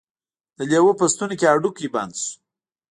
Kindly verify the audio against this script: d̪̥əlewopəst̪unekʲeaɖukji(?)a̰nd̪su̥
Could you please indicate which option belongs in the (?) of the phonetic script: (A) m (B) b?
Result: B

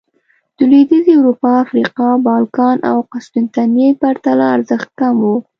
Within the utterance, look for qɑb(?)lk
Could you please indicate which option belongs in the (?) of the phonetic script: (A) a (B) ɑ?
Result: B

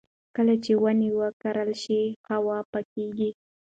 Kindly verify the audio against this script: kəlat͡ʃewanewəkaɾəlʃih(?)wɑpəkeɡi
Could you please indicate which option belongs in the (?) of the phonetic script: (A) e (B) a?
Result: B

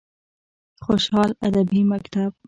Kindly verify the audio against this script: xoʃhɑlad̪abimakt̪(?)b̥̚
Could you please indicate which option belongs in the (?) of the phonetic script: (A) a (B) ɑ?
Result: A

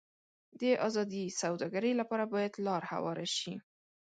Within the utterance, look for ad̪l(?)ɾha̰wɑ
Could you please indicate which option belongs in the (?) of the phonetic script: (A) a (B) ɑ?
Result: B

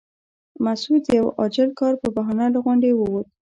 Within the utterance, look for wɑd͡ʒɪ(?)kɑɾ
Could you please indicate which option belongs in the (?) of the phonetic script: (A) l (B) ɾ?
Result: A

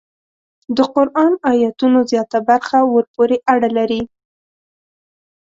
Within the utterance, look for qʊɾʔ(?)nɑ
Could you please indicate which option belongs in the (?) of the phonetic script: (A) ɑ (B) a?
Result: A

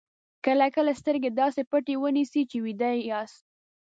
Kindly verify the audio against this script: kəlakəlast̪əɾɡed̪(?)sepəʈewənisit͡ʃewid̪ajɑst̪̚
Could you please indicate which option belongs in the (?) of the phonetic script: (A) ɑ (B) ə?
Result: A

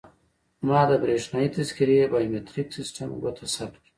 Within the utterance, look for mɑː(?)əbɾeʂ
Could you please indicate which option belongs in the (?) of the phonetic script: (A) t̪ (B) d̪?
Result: B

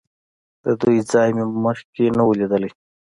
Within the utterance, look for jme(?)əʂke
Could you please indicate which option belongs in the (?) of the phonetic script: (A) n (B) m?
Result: B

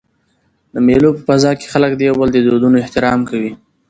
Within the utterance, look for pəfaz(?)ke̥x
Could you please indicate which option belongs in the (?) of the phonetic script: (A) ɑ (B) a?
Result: A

